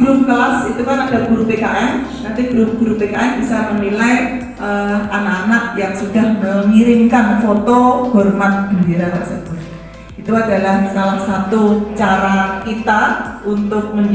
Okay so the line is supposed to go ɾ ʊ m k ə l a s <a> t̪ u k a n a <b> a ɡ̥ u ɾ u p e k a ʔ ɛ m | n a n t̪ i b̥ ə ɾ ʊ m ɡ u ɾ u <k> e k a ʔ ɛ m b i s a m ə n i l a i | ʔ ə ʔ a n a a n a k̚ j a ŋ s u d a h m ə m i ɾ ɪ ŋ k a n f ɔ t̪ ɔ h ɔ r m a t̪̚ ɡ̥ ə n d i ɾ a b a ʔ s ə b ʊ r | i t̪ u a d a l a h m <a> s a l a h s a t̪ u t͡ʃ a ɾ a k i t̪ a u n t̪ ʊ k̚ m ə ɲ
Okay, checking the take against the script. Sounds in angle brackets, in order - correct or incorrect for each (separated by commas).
incorrect, incorrect, incorrect, incorrect